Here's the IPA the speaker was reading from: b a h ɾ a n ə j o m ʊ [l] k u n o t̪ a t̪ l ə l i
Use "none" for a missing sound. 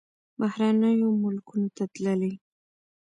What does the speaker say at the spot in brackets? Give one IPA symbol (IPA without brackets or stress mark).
l